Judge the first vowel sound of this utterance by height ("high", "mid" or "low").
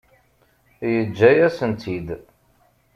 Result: mid